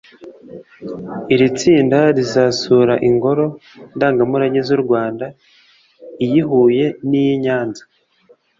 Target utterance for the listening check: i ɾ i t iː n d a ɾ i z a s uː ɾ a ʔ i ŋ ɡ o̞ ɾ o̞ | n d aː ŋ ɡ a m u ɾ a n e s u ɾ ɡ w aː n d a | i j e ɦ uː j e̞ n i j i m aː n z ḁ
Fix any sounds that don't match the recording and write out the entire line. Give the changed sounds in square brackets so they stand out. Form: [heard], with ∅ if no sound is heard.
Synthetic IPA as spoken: i ɾ i [t͡s] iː n d a ɾ i z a s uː ɾ a ʔ i ŋ ɡ o̞ ɾ o̞ | n d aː ŋ ɡ a m u ɾ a [ɲ] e [z] u ɾ ɡ w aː n d a | i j [i] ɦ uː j e̞ n i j i [ɲ] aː n z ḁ